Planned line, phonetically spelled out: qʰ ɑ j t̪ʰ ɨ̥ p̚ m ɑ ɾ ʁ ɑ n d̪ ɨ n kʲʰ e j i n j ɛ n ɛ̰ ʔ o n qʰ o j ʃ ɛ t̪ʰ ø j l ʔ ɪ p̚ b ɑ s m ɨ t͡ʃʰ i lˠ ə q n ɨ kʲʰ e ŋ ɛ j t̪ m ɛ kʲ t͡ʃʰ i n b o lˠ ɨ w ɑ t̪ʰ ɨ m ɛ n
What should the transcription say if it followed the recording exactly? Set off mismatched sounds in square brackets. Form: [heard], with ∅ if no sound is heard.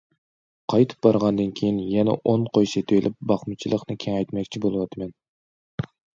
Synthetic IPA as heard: qʰ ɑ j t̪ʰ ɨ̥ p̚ [b] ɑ ɾ ʁ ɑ n d̪ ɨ n kʲʰ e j i n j ɛ n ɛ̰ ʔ o n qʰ o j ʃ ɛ t̪ʰ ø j l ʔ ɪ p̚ b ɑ [χ] m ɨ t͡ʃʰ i lˠ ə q n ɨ kʲʰ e ŋ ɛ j t̪ m ɛ kʲ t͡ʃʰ i [∅] b o lˠ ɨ w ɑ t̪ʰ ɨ m ɛ n